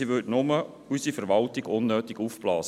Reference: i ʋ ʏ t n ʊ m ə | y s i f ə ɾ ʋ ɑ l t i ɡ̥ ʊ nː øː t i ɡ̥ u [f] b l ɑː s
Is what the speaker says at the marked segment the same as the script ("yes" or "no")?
yes